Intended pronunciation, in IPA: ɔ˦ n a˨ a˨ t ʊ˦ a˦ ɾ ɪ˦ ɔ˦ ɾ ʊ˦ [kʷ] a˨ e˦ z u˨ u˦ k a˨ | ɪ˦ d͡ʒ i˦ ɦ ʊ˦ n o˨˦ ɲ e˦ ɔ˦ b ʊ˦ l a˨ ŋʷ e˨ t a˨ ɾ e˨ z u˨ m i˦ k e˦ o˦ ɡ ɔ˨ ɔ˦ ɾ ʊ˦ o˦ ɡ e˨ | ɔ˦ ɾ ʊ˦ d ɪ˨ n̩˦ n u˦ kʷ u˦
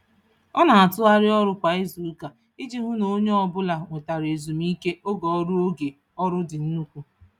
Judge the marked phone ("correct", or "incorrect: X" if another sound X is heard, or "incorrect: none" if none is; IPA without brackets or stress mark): correct